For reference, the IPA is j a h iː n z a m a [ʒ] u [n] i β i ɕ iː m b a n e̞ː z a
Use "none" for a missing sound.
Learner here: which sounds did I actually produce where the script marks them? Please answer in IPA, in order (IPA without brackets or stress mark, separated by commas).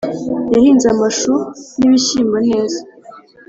ʃ, n